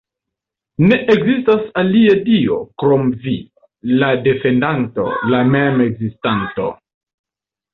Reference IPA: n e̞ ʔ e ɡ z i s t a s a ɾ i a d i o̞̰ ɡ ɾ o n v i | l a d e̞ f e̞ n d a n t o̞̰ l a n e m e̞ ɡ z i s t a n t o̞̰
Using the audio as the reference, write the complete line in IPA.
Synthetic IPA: n e̞ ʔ e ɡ z i s t a s a l i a d i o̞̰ k ɾ o m v i | l a d e̞ f e̞ n d a n t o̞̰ l a m e m e̞ ɡ z i s t a n t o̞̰